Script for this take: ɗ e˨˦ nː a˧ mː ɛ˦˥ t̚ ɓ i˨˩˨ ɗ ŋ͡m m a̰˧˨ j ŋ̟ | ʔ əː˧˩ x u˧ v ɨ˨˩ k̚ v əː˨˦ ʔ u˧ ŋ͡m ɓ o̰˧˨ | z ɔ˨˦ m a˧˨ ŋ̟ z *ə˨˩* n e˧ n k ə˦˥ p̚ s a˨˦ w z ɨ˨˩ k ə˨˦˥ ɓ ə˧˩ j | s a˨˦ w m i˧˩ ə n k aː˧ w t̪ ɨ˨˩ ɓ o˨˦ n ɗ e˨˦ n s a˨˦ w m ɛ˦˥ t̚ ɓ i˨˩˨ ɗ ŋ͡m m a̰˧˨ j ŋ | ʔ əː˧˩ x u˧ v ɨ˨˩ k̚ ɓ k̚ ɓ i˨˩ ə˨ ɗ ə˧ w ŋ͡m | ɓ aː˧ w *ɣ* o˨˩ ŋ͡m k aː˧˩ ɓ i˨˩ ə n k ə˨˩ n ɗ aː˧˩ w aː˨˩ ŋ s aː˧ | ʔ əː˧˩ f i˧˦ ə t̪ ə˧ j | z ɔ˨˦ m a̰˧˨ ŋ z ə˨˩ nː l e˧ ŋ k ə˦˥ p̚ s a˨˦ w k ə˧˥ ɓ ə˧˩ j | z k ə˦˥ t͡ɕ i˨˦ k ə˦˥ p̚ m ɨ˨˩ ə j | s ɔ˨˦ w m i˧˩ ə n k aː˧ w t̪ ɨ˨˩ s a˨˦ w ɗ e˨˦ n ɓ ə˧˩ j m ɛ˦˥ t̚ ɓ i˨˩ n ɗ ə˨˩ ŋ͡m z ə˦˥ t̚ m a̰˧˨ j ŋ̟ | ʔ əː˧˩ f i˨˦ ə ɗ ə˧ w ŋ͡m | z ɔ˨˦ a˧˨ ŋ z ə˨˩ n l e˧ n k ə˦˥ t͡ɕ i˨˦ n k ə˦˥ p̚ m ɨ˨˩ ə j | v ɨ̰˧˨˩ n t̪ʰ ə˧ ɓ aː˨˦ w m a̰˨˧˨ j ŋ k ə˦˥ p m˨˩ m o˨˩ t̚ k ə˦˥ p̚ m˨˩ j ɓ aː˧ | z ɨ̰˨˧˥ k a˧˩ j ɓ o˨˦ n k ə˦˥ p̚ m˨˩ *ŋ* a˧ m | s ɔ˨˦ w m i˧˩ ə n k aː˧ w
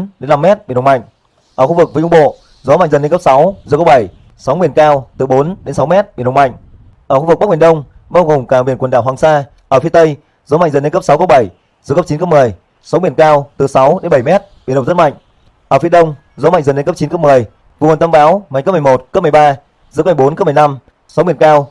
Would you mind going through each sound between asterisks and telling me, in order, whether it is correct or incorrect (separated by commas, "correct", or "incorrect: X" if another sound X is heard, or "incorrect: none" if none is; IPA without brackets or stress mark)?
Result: correct, correct, incorrect: n